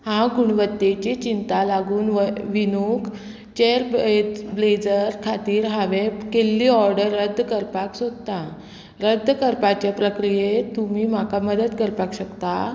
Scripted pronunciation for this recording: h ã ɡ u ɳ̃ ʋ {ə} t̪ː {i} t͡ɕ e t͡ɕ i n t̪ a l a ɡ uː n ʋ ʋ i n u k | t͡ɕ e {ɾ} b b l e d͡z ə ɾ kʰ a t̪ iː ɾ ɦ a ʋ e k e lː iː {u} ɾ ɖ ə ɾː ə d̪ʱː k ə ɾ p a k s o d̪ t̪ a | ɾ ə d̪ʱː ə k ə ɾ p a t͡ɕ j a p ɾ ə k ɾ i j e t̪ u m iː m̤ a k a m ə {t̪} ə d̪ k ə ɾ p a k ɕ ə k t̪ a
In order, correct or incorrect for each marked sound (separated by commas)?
correct, incorrect, correct, incorrect, incorrect